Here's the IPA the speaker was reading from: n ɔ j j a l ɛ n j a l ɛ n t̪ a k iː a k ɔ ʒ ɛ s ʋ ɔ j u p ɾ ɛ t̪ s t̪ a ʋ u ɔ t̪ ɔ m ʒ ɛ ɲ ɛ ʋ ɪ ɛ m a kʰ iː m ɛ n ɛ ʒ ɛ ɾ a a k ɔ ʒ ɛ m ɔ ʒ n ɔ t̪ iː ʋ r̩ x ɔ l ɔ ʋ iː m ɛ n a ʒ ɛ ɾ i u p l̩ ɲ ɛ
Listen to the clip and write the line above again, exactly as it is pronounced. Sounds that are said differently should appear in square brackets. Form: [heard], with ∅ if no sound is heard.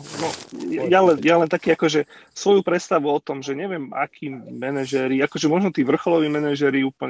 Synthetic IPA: n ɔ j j a l ɛ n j a l ɛ n t̪ a k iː a k ɔ ʒ ɛ s ʋ ɔ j u p ɾ ɛ t̪ s t̪ a ʋ u ɔ t̪ ɔ m ʒ ɛ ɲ ɛ ʋ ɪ ɛ m a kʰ iː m ɛ n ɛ ʒ ɛ ɾ [i] a k ɔ ʒ ɛ m ɔ ʒ n ɔ t̪ iː ʋ r̩ x ɔ l ɔ ʋ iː m ɛ n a ʒ ɛ ɾ i [uː] p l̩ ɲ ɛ